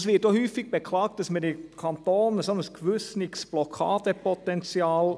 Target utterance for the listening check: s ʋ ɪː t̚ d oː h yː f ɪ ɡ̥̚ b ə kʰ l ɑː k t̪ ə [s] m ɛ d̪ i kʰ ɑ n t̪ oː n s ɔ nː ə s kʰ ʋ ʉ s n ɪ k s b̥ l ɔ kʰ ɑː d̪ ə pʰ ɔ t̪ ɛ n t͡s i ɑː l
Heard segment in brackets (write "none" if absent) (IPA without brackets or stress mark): s